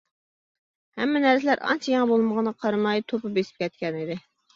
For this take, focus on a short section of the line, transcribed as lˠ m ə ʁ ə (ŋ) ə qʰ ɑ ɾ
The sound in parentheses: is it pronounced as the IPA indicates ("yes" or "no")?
no